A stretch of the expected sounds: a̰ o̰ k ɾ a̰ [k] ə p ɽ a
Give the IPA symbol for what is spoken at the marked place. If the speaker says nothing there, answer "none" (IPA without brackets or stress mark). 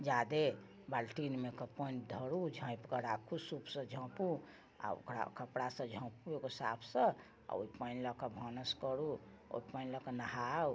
k